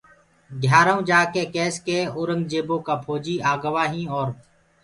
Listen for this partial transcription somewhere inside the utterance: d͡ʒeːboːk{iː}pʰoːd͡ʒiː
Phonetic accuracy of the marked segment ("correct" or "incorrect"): incorrect